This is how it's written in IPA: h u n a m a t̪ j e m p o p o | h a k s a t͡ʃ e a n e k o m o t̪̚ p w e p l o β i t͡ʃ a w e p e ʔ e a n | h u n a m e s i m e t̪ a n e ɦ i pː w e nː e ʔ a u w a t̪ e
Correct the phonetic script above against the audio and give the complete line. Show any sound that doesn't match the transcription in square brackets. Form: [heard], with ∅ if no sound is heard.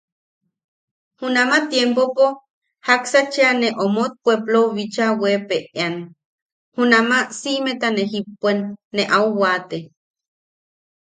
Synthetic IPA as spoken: h u n a m a t̪ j e m p o p o | h a k s a t͡ʃ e a n e [ʔ] o m o t̪̚ p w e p l o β i t͡ʃ a w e p e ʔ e a n | h u n a m [a] s i m e t̪ a n e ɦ i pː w e nː e ʔ a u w a t̪ e